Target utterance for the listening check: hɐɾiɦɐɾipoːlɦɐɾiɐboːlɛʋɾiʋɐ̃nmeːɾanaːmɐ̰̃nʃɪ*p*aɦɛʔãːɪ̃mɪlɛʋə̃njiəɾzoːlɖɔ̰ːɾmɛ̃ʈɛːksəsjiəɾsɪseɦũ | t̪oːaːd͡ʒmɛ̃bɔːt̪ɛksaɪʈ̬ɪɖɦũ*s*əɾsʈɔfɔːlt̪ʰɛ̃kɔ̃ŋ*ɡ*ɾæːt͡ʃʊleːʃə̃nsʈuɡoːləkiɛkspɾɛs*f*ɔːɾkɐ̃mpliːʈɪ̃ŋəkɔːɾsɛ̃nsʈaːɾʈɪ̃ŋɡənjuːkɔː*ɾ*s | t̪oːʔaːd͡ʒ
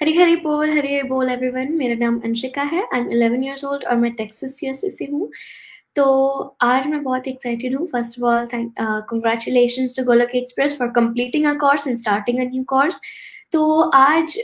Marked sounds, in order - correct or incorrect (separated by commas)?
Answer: incorrect, incorrect, correct, correct, correct